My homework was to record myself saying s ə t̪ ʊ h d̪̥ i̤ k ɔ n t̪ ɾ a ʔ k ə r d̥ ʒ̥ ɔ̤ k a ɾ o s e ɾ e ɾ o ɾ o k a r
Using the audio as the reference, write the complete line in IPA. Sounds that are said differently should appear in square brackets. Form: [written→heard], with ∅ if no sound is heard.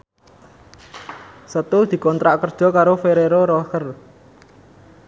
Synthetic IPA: s ə t̪ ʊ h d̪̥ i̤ k ɔ n t̪ ɾ a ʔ k ə r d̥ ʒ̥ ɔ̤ k a ɾ o [s→f] e ɾ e ɾ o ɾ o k [a→ə] r